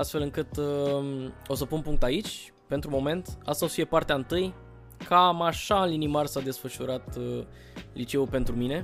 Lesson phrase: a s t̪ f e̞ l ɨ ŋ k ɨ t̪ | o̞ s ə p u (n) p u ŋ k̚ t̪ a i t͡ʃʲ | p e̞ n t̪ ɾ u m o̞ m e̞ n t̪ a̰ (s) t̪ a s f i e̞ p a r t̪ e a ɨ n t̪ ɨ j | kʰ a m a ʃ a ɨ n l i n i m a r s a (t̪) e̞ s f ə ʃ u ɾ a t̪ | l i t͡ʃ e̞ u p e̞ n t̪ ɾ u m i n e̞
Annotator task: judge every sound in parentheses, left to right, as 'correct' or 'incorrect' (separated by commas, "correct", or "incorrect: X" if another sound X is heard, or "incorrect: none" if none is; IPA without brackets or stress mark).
correct, correct, incorrect: d̪